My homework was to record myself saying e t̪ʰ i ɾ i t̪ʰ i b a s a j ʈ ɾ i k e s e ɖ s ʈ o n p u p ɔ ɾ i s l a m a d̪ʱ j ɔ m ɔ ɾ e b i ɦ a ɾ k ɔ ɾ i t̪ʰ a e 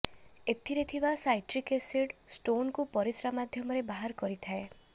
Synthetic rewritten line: e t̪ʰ i ɾ e t̪ʰ i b a s a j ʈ ɾ i k e s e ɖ s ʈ o n k u p ɔ ɾ i s ɾ a m a d̪ʱ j ɔ m ɔ ɾ e b a ɦ a ɾ k ɔ ɾ i t̪ʰ a e